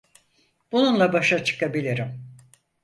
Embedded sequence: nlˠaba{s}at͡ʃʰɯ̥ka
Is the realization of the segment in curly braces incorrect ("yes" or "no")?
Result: yes